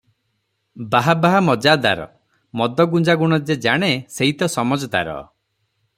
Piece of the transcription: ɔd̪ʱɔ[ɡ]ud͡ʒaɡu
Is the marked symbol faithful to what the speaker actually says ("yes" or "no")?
yes